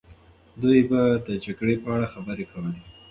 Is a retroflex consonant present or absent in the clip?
present